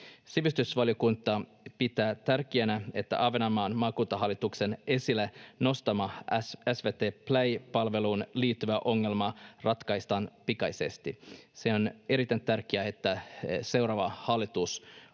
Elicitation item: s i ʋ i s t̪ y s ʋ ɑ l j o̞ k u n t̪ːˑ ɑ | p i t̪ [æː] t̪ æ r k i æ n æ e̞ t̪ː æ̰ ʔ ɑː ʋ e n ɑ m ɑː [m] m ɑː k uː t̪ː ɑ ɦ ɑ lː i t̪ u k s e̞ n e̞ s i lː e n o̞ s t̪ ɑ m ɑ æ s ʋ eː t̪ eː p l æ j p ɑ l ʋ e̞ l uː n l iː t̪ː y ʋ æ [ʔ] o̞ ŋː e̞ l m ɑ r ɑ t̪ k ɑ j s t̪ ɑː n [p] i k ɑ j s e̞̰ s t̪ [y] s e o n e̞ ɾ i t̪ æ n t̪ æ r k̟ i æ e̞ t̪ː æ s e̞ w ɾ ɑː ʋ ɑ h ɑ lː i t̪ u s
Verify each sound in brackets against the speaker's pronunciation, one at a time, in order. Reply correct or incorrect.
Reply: correct, incorrect: n, correct, correct, incorrect: i

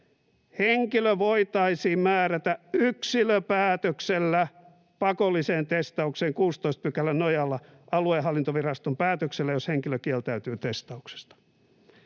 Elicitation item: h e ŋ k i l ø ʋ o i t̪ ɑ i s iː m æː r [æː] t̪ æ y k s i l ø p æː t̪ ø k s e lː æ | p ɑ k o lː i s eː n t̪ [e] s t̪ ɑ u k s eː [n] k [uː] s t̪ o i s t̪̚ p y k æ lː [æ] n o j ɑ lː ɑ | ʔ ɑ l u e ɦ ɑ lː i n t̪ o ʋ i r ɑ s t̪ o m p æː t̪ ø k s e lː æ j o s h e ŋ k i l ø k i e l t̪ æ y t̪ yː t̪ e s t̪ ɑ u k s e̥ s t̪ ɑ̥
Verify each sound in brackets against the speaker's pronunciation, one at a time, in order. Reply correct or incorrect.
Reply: incorrect: æ, correct, incorrect: ŋ, correct, correct

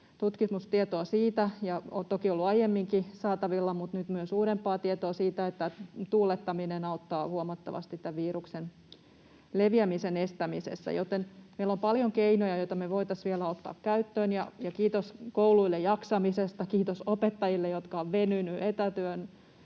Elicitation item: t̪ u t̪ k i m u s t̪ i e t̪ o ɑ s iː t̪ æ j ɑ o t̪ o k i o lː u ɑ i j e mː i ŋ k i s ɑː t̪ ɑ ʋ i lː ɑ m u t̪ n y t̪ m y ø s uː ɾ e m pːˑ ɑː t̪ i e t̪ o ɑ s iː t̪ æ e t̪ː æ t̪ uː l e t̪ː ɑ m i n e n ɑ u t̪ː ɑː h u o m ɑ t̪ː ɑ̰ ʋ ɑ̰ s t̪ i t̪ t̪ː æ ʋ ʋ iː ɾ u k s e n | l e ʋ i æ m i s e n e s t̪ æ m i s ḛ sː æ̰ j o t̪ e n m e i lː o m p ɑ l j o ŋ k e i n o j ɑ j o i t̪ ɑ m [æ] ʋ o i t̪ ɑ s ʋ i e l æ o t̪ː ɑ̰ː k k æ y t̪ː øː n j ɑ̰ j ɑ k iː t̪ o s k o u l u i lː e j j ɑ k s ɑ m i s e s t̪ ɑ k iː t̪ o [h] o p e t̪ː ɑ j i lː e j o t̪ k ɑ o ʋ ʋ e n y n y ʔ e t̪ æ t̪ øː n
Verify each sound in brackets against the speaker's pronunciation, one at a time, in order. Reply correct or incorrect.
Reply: incorrect: e, incorrect: s

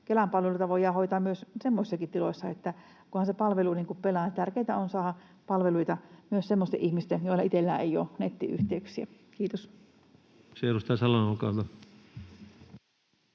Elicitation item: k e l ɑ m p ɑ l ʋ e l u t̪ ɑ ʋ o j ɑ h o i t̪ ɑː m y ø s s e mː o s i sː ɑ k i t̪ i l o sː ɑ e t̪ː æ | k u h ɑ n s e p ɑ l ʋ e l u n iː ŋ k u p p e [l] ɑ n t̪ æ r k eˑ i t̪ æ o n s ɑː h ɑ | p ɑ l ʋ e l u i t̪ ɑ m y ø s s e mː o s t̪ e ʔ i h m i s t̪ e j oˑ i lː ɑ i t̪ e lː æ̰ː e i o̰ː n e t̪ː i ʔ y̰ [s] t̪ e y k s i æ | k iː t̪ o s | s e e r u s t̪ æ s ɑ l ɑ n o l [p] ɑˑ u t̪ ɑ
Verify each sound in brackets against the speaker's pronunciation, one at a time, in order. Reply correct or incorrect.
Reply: correct, incorrect: h, incorrect: k

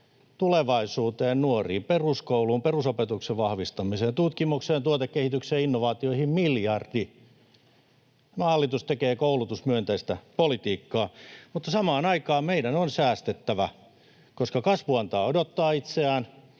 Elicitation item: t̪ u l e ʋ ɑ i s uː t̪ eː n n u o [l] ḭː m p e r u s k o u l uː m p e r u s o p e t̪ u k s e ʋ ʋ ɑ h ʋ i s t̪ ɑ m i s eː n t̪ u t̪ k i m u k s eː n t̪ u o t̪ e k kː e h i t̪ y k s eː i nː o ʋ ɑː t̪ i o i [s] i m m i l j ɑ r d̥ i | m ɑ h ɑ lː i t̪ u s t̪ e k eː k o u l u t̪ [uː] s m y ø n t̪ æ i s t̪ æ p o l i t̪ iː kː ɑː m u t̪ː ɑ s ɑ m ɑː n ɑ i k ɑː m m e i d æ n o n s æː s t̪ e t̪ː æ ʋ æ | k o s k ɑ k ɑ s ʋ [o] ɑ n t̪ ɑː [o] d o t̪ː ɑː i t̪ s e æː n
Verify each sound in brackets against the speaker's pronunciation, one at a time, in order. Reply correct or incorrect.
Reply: incorrect: r, incorrect: h, incorrect: u, incorrect: u, correct

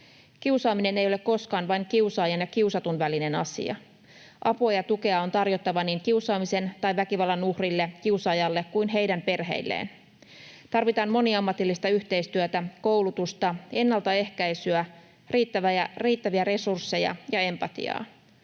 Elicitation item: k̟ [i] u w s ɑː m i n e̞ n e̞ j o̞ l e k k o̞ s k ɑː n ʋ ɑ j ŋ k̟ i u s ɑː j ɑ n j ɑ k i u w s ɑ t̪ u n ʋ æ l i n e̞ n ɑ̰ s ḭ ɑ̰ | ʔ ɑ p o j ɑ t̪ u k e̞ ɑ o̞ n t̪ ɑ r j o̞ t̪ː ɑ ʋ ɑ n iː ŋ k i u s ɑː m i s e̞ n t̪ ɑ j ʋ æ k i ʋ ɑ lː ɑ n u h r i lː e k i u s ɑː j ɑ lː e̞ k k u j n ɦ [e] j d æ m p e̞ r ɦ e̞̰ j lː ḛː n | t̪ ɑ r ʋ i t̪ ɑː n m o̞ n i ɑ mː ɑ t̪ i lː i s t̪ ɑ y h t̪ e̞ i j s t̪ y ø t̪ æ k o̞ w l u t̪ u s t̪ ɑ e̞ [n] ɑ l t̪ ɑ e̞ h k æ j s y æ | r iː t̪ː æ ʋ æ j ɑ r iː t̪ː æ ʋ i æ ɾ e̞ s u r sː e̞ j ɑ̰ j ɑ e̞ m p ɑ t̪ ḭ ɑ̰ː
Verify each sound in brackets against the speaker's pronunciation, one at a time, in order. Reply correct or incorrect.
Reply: correct, correct, incorrect: nː

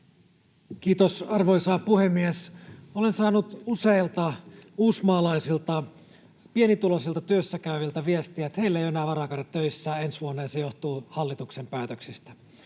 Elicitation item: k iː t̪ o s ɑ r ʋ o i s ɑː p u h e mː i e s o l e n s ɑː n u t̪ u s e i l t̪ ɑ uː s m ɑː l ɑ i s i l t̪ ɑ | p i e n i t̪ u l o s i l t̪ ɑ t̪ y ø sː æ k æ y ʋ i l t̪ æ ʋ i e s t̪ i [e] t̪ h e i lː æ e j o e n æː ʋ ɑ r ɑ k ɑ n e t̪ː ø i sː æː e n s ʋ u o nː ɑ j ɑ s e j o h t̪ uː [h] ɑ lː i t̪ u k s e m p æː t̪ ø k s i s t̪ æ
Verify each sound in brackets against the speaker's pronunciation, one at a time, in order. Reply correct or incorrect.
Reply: incorrect: æ, correct

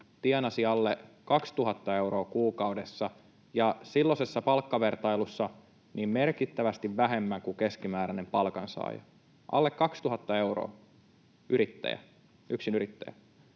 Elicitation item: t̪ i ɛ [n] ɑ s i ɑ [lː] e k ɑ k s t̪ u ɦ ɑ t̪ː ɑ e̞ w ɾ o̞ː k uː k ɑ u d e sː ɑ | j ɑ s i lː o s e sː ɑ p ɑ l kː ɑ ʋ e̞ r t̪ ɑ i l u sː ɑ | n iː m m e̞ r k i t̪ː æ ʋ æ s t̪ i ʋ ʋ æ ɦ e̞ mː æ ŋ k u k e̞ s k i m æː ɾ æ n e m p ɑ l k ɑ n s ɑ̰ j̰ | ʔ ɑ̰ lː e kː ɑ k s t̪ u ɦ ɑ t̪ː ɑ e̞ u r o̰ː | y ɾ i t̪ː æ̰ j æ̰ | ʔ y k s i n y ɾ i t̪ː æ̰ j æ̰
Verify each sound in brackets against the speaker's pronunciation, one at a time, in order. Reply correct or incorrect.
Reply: correct, correct

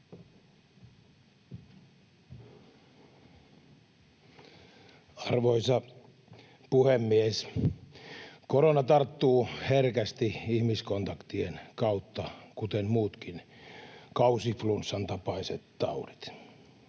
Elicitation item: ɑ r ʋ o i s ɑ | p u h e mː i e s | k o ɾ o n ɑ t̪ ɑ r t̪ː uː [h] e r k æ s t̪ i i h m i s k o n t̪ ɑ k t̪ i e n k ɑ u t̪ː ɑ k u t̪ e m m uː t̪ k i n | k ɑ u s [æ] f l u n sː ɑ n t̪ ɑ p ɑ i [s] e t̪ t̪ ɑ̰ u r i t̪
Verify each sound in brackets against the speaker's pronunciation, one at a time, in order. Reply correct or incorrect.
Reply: correct, incorrect: i, correct

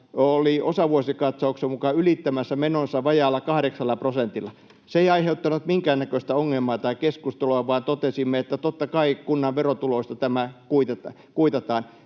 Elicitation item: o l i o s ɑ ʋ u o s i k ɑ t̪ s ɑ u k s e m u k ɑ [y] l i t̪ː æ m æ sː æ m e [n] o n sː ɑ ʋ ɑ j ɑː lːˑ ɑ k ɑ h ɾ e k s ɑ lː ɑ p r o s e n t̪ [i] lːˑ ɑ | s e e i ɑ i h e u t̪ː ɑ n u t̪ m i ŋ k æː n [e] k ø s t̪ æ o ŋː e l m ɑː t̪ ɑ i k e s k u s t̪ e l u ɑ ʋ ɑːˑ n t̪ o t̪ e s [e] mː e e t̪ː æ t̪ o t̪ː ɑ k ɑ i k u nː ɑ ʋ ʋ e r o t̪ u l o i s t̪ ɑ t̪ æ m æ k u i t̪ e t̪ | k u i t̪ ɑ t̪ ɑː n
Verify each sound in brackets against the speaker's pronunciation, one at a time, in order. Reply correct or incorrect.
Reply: correct, correct, correct, incorrect: æ, incorrect: i

